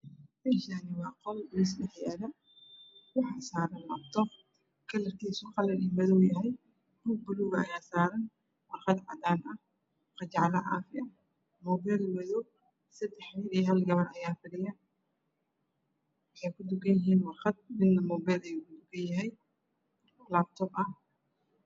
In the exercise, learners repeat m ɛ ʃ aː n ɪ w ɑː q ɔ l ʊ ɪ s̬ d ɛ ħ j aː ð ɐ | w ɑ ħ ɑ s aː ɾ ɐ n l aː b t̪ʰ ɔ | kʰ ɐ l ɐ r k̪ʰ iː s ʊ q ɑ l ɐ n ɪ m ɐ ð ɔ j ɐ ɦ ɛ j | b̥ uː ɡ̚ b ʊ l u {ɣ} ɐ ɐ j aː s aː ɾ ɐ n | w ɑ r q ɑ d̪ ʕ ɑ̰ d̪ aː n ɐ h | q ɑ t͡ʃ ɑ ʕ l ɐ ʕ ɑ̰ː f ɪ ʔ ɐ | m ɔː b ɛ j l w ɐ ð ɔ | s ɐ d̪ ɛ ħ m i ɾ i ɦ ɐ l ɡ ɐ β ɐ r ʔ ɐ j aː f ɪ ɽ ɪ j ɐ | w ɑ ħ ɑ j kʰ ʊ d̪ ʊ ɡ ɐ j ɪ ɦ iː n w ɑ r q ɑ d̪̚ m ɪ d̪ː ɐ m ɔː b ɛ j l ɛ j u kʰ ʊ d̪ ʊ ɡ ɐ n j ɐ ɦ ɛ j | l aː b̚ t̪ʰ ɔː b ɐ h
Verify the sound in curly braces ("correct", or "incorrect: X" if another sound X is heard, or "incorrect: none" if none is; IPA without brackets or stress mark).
correct